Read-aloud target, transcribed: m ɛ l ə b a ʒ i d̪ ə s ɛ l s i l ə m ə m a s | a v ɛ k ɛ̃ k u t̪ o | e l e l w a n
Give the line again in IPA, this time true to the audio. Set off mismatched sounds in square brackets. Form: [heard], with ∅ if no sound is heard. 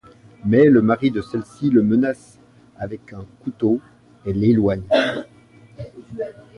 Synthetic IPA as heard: m ɛ l ə [m] a [ʁ] i d̪ ə s ɛ l s i l ə m ə [n] a s | a v ɛ k ɛ̃ k u t̪ o | e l e l w a [ɲ]

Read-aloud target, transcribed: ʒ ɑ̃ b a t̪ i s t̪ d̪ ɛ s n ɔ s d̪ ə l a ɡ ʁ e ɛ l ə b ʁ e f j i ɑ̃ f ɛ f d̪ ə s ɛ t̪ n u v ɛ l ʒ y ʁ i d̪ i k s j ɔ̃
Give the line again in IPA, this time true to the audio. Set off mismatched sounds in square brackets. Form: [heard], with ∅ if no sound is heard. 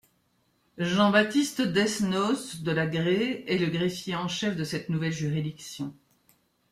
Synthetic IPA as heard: ʒ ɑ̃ b a t̪ i s t̪ d̪ ɛ s n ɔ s d̪ ə l a ɡ ʁ e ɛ l ə [ɡ] ʁ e f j [e] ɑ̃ [ʃ] ɛ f d̪ ə s ɛ t̪ n u v ɛ l ʒ y ʁ i d̪ i k s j ɔ̃

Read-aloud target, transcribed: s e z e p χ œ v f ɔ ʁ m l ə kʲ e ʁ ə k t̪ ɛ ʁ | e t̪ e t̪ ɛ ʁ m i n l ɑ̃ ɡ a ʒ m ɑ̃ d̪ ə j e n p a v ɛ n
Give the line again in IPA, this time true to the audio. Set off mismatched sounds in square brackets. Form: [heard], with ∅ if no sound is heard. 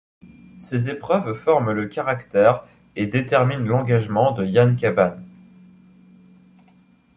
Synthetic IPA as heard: s e z e p χ œ v f ɔ ʁ m l ə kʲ [a] ʁ [a] k t̪ ɛ ʁ | e [d̪] e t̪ ɛ ʁ m i n l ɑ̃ ɡ a ʒ m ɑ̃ d̪ ə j [a] n [k] a v [a] n

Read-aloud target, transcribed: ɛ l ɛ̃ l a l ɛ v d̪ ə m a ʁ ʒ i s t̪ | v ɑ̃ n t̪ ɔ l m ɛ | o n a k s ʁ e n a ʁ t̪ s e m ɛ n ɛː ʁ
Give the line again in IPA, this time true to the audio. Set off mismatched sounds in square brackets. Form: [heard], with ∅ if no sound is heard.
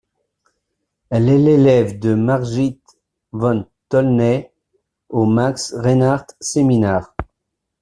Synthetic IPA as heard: ɛ l [ɛ] l [e] l ɛ v d̪ ə m a ʁ ʒ i [∅] t̪ | v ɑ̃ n t̪ ɔ l [n] ɛ | o [m] a k s ʁ e n a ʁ t̪ s e m [i] n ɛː ʁ

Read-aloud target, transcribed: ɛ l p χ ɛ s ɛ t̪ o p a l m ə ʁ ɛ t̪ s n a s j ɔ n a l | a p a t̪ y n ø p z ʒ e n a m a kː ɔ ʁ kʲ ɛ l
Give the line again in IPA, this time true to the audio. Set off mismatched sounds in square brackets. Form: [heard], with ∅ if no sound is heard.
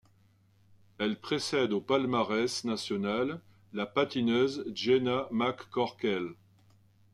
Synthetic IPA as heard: ɛ l p χ [e] s ɛ [d̪] o p a l m [a] ʁ ɛ [∅] s n a s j ɔ n a [lː] | a p a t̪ [i] n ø [∅] z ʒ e n a m a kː ɔ ʁ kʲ ɛ l

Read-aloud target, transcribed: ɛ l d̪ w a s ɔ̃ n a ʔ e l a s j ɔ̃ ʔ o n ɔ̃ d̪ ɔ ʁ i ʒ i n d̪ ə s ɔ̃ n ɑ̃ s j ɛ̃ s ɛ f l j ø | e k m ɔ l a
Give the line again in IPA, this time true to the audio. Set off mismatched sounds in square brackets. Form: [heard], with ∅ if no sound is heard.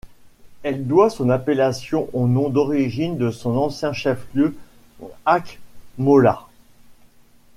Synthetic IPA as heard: ɛ l d̪ w a s ɔ̃ n a [p] e l a s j ɔ̃ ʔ o n ɔ̃ d̪ ɔ ʁ i ʒ i n d̪ ə s ɔ̃ n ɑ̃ s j ɛ̃ [ʃ] ɛ f l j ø | [a] k m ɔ l a

